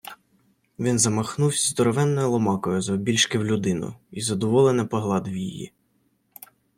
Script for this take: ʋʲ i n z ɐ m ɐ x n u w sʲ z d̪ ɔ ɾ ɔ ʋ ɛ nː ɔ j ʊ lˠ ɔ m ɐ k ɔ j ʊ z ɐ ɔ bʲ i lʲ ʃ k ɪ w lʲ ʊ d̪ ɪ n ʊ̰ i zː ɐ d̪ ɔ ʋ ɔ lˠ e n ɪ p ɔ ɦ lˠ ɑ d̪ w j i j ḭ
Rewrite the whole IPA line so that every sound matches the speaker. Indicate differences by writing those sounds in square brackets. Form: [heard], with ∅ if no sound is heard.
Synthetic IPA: ʋʲ i n z ɐ m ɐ x n u w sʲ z d̪ ɔ ɾ ɔ ʋ ɛ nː ɔ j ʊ lˠ ɔ m [ɑ] k ɔ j ʊ z ɐ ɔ bʲ i lʲ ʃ k ɪ w lʲ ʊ d̪ ɪ n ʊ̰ i [z] ɐ d̪ ɔ ʋ ɔ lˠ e n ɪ p ɔ ɦ lˠ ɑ d̪ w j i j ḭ